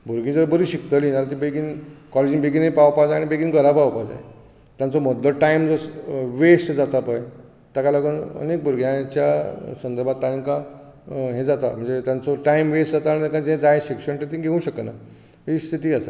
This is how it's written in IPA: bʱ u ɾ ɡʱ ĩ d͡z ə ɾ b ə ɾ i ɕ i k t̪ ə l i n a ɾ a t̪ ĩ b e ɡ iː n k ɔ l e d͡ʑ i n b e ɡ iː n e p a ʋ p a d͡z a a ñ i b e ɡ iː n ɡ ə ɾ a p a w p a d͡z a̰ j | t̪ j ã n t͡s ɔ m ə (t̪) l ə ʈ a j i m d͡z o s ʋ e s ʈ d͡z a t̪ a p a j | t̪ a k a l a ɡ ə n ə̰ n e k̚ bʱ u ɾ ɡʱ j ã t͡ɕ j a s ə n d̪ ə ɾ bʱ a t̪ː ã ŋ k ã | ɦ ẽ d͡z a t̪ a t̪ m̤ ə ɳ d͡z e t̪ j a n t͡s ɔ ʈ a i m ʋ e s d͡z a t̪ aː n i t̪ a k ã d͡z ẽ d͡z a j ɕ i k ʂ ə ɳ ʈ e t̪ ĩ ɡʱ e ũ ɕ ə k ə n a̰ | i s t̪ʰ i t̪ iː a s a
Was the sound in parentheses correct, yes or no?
no